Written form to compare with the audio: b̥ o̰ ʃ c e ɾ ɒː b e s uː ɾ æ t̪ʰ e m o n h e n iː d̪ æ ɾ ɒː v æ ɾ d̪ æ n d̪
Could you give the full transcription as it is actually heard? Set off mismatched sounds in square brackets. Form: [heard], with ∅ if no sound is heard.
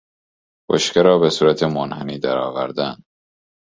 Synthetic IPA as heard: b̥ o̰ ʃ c e ɾ ɒː b e s uː ɾ æ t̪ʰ e m o n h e n iː d̪ æ ɾ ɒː v æ ɾ d̪ æ n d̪